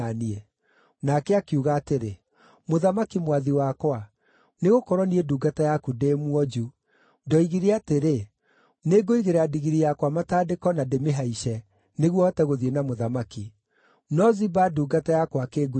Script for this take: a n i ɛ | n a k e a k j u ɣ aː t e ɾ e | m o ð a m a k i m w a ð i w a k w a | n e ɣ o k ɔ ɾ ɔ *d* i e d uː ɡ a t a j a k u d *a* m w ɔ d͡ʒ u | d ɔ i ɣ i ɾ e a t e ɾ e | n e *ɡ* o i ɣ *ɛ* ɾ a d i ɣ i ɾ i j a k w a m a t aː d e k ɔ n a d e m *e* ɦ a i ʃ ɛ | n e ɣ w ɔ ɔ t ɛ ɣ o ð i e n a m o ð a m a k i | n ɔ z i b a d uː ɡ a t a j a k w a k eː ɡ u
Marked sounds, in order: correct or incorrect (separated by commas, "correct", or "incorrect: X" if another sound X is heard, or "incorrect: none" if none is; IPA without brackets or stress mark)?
incorrect: n, incorrect: e, correct, incorrect: e, correct